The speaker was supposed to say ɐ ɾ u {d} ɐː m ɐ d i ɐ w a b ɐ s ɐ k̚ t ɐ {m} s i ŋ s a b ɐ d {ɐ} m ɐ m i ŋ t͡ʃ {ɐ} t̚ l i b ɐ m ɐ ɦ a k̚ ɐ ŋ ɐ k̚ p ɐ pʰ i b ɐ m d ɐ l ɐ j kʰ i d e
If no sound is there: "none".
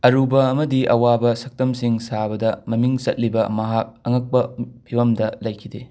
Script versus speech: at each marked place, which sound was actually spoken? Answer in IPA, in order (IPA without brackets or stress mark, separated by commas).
b, m, ɐ, ɐ